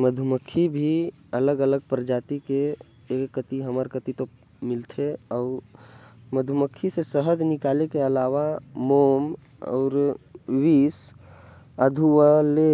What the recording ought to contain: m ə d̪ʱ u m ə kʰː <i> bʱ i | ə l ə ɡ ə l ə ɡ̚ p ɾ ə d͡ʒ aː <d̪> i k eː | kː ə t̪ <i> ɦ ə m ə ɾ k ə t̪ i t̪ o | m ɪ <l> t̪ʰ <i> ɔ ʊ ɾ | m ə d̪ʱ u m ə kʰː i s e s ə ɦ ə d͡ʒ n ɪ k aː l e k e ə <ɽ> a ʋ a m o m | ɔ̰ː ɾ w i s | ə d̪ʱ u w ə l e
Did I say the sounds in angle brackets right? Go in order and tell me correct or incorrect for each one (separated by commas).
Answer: correct, incorrect, correct, correct, incorrect, incorrect